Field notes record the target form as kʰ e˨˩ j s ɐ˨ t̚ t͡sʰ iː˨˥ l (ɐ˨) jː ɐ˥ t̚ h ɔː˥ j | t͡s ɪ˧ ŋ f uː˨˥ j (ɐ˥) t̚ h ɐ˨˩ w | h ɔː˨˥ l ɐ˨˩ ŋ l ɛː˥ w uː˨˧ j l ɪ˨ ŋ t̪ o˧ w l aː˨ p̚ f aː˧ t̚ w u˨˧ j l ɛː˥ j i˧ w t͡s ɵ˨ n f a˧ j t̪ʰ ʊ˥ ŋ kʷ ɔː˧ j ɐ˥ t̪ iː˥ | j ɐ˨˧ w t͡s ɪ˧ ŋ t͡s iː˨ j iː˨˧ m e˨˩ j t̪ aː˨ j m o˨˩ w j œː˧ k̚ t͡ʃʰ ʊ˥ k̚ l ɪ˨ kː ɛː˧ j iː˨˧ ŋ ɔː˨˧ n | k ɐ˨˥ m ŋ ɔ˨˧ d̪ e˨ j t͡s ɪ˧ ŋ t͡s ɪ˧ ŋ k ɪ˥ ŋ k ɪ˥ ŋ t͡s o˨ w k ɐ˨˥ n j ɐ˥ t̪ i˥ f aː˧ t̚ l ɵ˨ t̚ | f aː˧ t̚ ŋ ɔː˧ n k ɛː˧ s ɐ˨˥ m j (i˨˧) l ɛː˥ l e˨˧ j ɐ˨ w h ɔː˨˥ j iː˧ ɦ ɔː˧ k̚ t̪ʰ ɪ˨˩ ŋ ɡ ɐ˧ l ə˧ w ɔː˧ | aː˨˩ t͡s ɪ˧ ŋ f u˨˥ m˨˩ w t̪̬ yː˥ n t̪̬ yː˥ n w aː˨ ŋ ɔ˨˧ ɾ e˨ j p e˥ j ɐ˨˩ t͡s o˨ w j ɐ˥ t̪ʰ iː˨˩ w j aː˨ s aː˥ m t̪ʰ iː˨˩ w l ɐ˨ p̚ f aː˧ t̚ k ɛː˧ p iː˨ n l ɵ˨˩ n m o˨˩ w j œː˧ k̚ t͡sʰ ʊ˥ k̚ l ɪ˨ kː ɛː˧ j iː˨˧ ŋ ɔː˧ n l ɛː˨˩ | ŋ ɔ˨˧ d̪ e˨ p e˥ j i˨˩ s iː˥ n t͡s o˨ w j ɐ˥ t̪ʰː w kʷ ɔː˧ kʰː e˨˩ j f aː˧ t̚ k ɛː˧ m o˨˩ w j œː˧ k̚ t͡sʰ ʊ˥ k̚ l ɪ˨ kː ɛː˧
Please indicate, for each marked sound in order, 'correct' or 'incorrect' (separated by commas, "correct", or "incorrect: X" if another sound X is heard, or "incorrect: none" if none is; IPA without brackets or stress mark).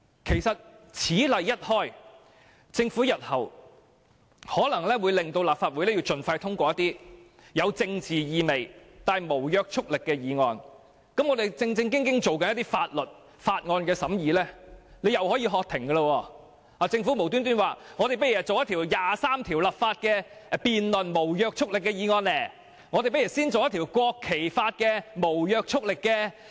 correct, incorrect: ɐ˨, incorrect: iː˨˧